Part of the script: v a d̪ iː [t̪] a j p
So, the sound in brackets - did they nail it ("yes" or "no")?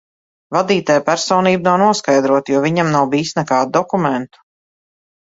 yes